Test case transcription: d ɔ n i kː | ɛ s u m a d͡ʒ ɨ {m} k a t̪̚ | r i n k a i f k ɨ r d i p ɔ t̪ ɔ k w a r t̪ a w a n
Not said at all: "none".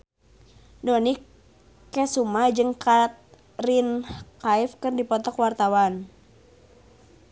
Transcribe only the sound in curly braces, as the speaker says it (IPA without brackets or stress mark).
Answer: ŋ